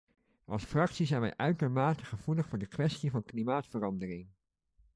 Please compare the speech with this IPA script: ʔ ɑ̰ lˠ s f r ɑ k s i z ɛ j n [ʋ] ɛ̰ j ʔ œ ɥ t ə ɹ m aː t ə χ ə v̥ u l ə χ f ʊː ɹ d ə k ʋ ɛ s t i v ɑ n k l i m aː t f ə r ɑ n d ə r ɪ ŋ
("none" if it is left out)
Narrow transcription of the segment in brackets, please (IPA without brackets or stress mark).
ʋ